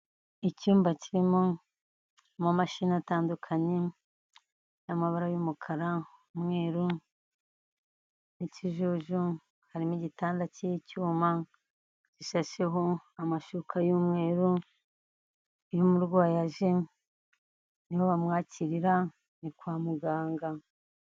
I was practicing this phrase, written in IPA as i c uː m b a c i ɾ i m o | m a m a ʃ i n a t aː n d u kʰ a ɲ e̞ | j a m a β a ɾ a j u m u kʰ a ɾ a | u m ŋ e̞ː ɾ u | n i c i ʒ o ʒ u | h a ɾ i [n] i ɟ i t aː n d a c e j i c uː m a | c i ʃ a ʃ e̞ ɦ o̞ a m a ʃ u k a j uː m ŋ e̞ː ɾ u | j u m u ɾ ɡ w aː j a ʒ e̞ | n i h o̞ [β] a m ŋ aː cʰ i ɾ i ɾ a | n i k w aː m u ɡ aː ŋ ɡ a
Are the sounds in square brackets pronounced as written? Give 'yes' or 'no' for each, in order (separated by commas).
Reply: no, yes